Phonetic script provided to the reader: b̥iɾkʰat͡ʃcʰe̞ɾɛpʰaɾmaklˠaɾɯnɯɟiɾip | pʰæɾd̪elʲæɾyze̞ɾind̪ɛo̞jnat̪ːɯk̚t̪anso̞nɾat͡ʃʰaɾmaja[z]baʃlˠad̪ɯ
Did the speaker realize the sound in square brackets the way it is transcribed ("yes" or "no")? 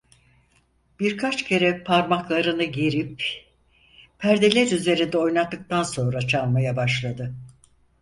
no